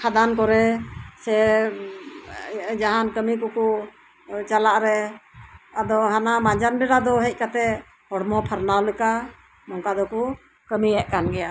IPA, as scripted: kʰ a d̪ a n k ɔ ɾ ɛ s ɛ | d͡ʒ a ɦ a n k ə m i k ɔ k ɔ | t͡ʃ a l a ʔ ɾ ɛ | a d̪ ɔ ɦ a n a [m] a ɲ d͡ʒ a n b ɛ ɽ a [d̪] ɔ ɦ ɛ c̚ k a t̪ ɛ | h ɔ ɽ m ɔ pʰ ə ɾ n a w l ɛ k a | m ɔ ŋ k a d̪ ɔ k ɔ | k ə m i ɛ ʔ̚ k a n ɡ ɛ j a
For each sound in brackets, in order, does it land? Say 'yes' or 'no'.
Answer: yes, yes

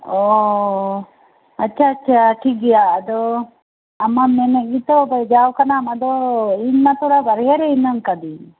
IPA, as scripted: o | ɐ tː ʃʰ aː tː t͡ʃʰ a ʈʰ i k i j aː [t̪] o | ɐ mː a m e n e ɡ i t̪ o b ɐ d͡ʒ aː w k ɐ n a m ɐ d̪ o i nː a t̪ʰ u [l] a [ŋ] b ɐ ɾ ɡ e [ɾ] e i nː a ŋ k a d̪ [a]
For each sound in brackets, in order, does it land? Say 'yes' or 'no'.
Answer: no, no, no, yes, no

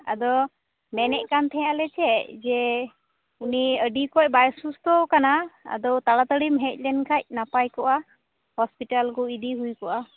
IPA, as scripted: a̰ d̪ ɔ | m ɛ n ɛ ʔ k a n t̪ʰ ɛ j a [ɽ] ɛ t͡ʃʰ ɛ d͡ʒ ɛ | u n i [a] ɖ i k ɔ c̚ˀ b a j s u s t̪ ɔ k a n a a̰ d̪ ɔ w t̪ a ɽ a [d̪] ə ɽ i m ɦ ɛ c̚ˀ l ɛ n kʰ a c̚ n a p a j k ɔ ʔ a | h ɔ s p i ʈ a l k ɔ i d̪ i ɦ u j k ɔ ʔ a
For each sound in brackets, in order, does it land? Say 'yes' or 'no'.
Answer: no, no, no

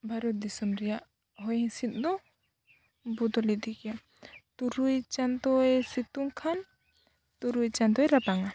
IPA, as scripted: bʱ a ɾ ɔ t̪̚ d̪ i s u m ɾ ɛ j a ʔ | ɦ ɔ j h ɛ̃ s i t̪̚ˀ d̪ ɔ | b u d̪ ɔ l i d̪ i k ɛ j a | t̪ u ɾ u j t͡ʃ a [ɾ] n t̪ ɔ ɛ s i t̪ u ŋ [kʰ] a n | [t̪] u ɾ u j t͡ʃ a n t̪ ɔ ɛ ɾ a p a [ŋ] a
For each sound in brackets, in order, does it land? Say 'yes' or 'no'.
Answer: no, yes, yes, yes

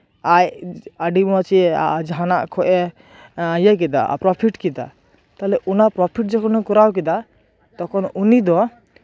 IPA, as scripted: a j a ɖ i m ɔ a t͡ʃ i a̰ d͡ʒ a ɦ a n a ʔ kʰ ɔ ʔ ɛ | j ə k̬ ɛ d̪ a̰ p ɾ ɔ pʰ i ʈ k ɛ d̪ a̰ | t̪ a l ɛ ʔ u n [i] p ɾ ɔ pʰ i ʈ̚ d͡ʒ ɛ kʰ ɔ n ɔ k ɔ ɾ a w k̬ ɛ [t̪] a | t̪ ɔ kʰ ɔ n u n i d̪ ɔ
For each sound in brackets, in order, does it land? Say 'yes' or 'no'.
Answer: no, no

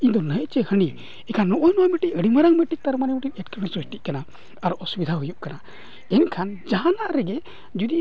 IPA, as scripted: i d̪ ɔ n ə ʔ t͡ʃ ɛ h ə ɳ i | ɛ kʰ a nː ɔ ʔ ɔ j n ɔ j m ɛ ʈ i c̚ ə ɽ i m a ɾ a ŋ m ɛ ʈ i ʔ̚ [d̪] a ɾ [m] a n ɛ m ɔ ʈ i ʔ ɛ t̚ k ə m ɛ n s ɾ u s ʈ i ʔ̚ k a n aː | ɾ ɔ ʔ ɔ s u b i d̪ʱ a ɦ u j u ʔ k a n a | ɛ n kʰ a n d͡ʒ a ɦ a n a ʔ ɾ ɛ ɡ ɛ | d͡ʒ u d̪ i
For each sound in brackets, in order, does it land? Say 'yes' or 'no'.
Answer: no, yes

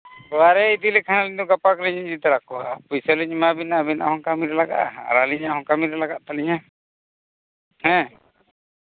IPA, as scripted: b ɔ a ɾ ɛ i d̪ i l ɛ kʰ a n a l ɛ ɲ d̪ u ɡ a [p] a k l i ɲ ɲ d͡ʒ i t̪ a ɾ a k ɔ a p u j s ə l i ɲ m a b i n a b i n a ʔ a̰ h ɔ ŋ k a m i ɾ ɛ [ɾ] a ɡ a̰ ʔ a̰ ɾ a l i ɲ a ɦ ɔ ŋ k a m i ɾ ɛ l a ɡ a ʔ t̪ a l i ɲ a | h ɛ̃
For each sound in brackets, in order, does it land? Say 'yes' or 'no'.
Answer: yes, no

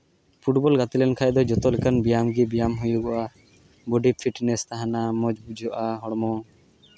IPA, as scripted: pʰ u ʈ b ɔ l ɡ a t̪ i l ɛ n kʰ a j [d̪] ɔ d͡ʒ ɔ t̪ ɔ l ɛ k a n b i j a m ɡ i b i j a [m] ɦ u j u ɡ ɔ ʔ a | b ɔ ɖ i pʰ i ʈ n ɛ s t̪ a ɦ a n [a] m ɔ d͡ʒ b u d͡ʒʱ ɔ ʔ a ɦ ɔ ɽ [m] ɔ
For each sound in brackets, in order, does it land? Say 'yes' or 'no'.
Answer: yes, yes, yes, yes

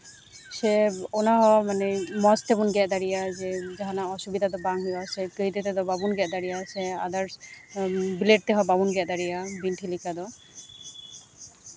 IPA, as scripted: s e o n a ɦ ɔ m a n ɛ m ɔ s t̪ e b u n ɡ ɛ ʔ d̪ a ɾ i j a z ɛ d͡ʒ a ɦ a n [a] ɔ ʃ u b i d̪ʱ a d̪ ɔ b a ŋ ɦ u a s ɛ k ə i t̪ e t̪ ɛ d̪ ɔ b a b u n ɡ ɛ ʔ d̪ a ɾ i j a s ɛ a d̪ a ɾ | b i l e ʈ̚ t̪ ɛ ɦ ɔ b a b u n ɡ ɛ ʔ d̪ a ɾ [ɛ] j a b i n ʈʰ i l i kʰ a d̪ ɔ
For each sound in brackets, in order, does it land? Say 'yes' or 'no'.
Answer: yes, no

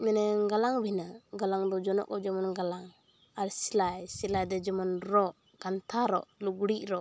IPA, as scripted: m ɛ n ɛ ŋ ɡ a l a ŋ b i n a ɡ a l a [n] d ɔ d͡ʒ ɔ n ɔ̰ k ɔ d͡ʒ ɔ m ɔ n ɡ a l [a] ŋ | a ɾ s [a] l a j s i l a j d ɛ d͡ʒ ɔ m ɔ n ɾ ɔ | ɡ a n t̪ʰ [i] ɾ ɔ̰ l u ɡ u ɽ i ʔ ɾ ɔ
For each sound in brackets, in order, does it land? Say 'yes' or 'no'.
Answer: no, yes, no, no

